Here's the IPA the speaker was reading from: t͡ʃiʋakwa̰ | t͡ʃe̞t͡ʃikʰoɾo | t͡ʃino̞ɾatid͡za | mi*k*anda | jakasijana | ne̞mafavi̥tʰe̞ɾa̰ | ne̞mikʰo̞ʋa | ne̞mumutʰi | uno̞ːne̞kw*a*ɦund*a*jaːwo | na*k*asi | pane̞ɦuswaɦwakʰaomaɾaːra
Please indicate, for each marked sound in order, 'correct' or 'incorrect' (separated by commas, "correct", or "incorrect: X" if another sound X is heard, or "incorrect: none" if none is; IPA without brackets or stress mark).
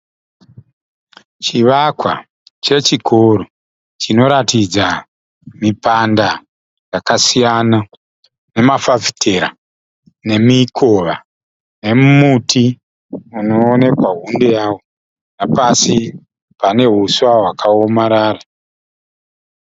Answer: incorrect: p, correct, incorrect: e, incorrect: p